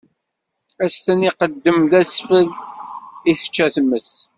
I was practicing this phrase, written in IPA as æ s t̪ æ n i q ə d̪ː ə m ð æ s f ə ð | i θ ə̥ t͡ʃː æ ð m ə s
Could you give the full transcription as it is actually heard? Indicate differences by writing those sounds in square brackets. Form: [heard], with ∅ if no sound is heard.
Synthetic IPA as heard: æ s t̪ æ n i q ə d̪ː ə m ð æ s f ə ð | i θ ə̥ t͡ʃː æ [θ] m ə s